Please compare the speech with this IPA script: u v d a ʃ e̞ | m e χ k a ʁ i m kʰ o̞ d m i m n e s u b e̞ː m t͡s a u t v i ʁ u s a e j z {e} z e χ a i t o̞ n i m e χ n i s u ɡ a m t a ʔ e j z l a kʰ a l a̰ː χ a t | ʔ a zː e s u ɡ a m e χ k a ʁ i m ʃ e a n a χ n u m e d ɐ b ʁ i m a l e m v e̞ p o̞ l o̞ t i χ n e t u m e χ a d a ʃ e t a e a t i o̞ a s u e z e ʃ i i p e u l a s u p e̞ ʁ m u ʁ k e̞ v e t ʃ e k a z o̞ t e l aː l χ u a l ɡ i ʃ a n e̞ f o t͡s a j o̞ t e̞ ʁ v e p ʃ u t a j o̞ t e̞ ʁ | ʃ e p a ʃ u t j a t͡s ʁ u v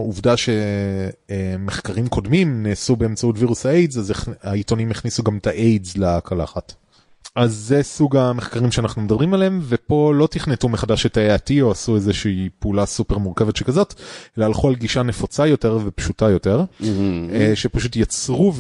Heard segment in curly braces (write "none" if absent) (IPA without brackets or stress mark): a